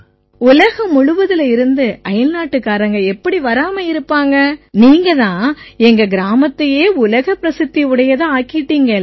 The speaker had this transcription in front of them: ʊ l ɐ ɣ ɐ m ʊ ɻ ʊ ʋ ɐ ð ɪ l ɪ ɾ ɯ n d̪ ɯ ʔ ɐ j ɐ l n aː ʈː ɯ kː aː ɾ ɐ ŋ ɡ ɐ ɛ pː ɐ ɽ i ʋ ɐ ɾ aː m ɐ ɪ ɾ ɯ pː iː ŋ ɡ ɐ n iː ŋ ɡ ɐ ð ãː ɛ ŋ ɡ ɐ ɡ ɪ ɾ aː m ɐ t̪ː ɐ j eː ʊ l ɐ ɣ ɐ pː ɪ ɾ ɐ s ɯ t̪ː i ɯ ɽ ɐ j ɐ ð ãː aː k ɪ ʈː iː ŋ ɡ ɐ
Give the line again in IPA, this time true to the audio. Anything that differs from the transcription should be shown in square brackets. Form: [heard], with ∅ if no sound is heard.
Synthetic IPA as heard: ʊ l ɐ ɣ ɐ m ʊ ɻ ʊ ʋ ɐ ð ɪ l ɪ ɾ ɯ n d̪ ɯ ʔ ɐ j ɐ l n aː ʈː ɯ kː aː ɾ ɐ ŋ ɡ ɐ ɛ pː ɐ ɽ i ʋ ɐ ɾ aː m ɐ ɪ ɾ ɯ pː [aː] ŋ ɡ ɐ n iː ŋ ɡ ɐ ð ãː ɛ ŋ ɡ ɐ ɡ ɪ ɾ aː m ɐ t̪ː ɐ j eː ʊ l ɐ ɣ ɐ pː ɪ ɾ ɐ s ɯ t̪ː i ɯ ɽ ɐ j ɐ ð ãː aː k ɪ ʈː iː ŋ ɡ ɐ